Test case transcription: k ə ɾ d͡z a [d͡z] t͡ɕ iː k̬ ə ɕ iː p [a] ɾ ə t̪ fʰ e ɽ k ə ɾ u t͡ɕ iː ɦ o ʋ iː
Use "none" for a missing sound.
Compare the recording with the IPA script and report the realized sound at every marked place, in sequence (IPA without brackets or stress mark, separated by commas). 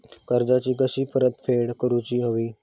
none, ə